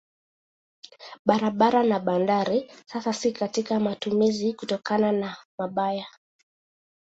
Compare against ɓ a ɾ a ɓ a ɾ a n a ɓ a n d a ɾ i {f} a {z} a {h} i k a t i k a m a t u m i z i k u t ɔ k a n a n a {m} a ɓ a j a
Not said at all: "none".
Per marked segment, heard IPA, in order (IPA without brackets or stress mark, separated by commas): s, s, s, m